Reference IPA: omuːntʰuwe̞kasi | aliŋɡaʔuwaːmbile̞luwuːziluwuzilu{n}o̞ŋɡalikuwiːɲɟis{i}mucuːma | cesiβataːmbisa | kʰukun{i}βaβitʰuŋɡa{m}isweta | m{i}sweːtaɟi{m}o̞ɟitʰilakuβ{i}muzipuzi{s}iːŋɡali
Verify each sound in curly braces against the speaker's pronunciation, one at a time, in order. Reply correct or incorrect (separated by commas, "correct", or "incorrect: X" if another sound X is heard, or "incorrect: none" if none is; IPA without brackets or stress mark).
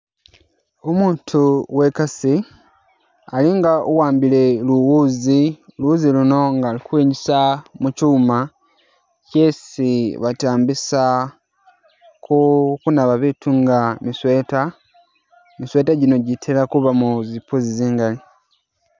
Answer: correct, incorrect: a, incorrect: a, correct, correct, incorrect: n, incorrect: a, incorrect: z